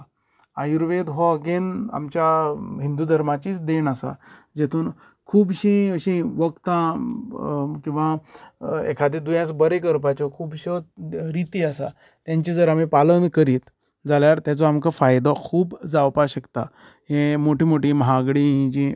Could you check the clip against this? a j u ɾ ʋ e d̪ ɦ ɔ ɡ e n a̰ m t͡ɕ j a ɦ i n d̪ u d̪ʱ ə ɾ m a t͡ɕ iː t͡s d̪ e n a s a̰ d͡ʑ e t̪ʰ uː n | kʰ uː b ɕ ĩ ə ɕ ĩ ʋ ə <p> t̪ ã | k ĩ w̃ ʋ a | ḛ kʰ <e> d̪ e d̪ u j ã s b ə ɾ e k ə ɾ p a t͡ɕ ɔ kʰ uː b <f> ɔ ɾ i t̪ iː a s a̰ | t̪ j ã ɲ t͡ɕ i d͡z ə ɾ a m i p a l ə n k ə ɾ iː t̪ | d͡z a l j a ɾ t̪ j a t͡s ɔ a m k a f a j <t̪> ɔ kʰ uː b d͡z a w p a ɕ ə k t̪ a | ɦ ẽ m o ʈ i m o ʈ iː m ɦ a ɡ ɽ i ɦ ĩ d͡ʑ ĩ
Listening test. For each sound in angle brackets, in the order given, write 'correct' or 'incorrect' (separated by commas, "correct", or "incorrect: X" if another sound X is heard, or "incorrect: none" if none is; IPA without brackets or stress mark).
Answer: incorrect: k, incorrect: a, incorrect: ɕ, incorrect: d̪